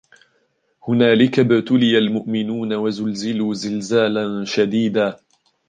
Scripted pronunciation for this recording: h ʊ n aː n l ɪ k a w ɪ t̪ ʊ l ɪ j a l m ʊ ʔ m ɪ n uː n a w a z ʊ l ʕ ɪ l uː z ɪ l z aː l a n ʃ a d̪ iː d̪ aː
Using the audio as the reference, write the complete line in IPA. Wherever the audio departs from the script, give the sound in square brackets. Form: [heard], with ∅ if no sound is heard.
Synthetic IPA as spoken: h ʊ n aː [∅] l ɪ k a [b] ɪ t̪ ʊ l ɪ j a l m ʊ ʔ m ɪ n uː n a w a z ʊ l [z] ɪ l uː z ɪ l z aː l a n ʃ a d̪ iː d̪ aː